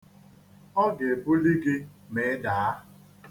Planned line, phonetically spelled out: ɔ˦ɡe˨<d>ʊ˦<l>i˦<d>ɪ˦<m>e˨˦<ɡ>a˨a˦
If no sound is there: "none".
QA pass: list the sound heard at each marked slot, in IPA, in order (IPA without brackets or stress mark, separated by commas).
b, l, ɡ, m, d